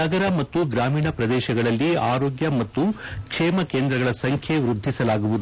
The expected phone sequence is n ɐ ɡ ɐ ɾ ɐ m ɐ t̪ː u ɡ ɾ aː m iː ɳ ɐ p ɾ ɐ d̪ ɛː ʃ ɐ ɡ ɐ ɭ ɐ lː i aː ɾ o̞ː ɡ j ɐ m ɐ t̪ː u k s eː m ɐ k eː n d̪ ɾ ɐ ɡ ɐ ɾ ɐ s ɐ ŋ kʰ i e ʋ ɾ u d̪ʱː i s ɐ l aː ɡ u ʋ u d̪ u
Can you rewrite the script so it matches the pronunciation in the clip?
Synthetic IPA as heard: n ɐ ɡ ɐ ɾ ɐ m ɐ t̪ː u ɡ ɾ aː m iː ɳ ɐ p ɾ ɐ d̪ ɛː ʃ ɐ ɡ ɐ ɭ ɐ lː i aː ɾ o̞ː ɡ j ɐ m ɐ t̪ː u k ʂ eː m ɐ k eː n d̪ ɾ ɐ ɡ ɐ ɭ ɐ s ɐ ŋ kʰ j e ʋ ɾ u d̪ʱː i s ɐ l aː ɡ u ʋ u d̪ u